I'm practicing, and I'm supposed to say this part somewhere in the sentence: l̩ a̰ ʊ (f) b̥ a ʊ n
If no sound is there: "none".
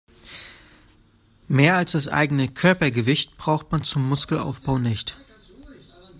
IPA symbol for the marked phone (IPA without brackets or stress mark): f